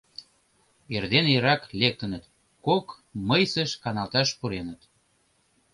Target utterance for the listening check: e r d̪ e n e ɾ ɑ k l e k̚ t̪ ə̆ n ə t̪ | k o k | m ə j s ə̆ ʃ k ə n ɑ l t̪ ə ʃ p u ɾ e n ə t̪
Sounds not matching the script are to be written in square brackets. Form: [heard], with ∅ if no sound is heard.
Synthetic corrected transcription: e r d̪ e n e ɾ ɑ k l e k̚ t̪ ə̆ n ə t̪ | k o k | m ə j s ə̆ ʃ k [ɑ] n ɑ l t̪ [ɑ] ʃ p u ɾ e n ə t̪